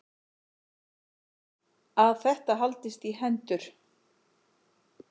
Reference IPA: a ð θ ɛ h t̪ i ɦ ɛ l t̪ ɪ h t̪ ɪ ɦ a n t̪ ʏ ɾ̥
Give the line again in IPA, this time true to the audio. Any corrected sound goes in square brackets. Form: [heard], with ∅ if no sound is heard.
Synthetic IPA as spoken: a ð θ ɛ h t̪ [a] ɦ [a] l t̪ ɪ [s] t̪ [i] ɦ [ɛ] n t̪ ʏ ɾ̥